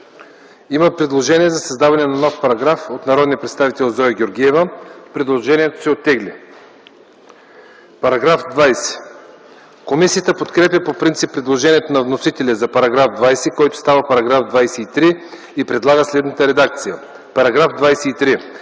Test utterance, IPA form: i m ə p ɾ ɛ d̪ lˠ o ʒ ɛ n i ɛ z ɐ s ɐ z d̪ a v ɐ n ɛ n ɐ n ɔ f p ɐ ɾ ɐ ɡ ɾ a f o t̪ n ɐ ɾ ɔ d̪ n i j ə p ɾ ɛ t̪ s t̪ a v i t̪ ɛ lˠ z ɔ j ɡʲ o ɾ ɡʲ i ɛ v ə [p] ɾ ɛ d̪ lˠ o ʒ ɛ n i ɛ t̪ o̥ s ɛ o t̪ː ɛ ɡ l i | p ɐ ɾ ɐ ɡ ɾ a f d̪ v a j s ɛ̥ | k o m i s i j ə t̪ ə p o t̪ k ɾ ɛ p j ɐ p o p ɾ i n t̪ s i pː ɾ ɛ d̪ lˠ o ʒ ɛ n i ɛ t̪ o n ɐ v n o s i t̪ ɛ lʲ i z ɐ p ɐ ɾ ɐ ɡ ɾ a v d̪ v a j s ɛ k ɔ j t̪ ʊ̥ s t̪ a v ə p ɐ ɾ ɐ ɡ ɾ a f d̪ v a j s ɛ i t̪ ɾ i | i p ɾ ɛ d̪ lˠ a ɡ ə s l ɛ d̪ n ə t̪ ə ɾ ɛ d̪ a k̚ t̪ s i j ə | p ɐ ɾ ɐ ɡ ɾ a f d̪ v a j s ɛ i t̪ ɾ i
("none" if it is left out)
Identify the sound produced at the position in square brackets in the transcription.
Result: p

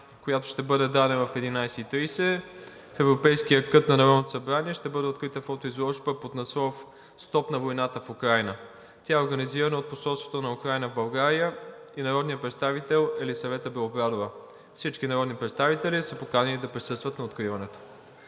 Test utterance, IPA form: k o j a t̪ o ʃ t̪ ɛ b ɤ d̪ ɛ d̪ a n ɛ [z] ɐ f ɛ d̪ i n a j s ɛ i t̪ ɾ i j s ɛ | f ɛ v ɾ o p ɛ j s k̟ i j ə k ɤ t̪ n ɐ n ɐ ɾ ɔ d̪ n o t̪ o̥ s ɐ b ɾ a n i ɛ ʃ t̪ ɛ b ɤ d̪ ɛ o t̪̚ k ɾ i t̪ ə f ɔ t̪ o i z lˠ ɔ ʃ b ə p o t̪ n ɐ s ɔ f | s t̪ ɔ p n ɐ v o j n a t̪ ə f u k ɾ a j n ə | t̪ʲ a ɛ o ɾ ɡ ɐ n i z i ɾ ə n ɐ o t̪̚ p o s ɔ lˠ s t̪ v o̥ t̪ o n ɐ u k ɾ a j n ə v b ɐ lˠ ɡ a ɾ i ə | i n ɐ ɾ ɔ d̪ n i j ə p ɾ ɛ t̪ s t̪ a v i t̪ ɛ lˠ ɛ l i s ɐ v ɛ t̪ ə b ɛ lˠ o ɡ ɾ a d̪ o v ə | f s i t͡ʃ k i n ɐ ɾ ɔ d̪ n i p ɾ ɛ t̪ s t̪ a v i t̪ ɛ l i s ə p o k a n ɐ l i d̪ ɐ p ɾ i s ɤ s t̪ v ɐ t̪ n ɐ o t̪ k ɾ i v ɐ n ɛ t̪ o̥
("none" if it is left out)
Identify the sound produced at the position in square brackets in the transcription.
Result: v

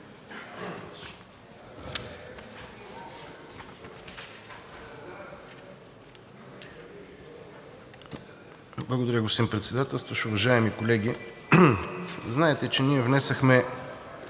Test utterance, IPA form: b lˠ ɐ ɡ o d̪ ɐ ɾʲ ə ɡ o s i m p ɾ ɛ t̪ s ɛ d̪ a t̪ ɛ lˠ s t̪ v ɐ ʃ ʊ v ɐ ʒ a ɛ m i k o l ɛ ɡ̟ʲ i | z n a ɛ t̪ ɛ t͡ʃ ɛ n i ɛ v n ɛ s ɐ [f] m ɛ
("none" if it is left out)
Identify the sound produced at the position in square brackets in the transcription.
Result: x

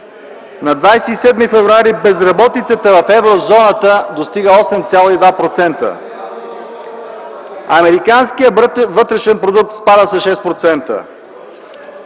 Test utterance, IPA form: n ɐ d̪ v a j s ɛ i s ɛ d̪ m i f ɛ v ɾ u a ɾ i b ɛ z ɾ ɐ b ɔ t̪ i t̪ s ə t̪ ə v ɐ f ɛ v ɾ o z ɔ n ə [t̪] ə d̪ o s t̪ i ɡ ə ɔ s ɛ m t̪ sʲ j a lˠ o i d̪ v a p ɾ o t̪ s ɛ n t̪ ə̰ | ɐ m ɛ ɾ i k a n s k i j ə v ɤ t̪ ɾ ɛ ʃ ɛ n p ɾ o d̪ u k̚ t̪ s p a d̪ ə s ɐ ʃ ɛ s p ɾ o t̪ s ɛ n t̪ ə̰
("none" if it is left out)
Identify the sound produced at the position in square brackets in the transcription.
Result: t̪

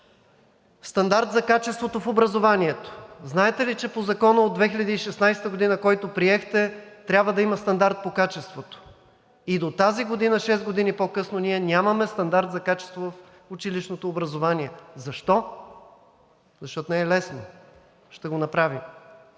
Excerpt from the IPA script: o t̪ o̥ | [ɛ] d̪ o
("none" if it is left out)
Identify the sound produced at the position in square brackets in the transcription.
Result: i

